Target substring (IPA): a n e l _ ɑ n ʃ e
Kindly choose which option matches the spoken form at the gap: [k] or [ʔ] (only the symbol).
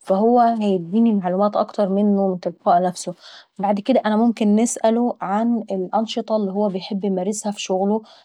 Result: ʔ